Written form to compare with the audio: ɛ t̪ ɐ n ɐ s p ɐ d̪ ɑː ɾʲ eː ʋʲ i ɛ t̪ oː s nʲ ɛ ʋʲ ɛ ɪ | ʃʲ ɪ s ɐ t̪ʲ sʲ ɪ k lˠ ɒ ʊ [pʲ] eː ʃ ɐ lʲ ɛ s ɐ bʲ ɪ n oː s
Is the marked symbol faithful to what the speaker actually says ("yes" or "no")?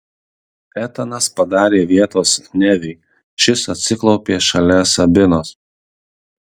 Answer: yes